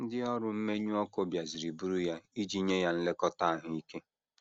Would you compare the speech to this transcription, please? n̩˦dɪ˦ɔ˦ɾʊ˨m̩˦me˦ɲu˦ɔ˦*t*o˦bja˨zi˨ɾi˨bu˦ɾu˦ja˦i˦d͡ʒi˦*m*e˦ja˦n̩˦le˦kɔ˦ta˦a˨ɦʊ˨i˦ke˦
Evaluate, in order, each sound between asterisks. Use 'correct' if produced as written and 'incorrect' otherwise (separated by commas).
incorrect, incorrect